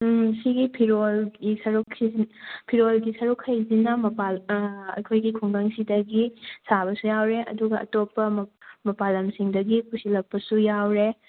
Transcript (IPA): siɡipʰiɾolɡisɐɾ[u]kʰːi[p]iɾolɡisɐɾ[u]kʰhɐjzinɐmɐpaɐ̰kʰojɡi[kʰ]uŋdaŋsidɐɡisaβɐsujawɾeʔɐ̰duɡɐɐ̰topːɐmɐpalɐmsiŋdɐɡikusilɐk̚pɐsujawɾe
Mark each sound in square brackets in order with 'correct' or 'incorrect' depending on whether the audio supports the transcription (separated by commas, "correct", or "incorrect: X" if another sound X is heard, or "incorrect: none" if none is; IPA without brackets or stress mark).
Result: correct, incorrect: pʰ, correct, correct